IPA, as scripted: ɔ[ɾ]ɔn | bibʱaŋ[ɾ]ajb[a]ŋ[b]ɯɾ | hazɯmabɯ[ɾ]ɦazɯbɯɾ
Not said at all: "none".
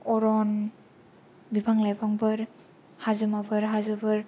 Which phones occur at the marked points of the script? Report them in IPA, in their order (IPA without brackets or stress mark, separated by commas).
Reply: ɾ, l, a, b, ɾ